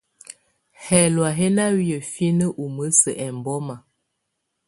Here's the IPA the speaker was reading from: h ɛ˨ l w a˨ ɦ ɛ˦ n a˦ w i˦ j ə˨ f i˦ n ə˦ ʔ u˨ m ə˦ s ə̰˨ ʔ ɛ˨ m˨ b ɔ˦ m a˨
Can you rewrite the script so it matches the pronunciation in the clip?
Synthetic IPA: h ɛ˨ l w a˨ ɦ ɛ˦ n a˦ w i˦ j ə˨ f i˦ n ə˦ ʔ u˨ m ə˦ s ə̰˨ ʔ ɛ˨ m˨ b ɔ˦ m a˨

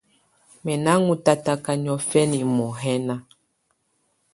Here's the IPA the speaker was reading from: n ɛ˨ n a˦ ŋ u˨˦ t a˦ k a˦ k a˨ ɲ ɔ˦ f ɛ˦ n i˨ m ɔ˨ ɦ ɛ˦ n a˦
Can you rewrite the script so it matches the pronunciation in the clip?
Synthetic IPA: m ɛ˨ n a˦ ŋ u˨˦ t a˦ t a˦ k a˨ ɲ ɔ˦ f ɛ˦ n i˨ m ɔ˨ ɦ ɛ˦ n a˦

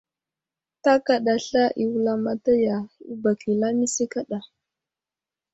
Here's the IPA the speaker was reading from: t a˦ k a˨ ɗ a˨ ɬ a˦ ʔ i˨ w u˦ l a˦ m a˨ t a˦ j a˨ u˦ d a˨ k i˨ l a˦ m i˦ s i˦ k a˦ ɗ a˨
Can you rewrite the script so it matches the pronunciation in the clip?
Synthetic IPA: t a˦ k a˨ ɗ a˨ ɬ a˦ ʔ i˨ w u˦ l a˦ m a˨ t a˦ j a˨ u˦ b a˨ k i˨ l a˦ m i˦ s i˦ k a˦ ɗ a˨

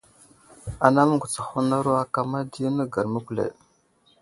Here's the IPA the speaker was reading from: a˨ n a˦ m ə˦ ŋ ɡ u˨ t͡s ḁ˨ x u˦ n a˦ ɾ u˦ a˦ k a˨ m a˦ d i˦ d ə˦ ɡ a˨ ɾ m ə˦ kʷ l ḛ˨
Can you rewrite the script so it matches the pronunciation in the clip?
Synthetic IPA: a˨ n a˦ m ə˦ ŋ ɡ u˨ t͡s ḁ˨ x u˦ n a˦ ɾ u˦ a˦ k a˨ m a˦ d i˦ n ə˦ ɡ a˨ ɾ m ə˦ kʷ l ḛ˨

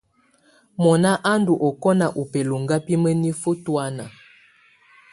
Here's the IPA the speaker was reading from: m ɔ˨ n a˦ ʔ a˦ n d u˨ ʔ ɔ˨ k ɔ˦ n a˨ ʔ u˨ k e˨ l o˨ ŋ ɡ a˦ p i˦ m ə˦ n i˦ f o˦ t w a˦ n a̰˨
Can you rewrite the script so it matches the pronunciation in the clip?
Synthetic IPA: m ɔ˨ n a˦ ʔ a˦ n d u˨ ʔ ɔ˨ k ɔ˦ n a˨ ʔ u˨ p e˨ l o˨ ŋ ɡ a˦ p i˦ m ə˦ n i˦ f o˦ t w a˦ n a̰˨

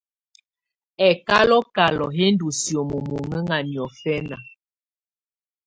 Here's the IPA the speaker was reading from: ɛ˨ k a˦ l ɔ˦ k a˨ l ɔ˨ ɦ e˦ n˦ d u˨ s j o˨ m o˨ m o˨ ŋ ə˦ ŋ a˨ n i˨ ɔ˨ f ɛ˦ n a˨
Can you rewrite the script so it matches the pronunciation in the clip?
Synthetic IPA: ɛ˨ k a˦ l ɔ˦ k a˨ l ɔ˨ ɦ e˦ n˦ d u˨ s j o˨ m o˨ m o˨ ŋ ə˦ ŋ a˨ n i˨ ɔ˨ f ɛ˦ n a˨

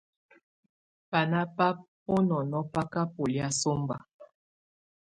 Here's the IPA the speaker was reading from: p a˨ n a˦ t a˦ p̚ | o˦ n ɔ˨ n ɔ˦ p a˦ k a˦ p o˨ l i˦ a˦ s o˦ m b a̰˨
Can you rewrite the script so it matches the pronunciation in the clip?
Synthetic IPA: p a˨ n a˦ p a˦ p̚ | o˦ n ɔ˨ n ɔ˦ p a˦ k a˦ p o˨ l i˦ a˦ s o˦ m b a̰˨

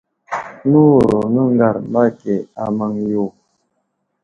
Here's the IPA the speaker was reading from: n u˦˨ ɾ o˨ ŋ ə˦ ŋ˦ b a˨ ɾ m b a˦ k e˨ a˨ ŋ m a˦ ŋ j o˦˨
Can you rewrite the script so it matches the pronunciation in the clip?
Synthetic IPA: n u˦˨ ɾ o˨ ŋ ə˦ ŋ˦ ɡ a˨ ɾ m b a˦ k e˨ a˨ m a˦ ŋ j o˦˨

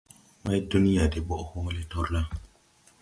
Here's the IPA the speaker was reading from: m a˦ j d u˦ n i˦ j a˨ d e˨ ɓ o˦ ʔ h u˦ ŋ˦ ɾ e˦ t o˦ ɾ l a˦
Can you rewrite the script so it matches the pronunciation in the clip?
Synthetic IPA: m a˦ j d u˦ n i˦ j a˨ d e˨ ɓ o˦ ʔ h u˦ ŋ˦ l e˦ t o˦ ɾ l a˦

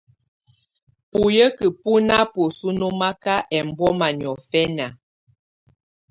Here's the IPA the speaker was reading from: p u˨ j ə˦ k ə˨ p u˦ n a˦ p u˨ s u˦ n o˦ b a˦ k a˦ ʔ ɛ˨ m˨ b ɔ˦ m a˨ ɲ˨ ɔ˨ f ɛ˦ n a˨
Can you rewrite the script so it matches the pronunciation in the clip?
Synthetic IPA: p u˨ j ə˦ k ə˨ p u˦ n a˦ p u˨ s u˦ n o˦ m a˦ k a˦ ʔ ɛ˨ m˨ b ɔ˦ m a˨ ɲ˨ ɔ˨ f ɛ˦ n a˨

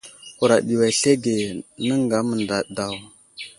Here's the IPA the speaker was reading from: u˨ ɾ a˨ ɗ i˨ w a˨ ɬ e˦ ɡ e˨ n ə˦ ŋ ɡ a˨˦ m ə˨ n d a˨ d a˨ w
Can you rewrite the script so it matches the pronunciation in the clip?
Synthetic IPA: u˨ ɾ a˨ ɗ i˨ w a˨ ɬ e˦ ɡ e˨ n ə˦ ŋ ɡ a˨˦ m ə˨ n d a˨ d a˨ w

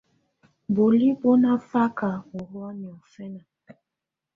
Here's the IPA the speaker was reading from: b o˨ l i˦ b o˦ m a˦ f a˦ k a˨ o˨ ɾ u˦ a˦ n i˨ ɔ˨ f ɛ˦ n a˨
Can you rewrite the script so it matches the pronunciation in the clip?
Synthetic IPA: b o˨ l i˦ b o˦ n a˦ f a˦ k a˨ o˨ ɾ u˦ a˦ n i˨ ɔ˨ f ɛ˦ n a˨

